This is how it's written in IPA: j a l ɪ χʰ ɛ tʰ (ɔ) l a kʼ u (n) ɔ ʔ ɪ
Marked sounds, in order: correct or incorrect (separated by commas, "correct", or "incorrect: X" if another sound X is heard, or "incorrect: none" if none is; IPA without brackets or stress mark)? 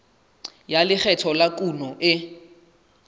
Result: correct, correct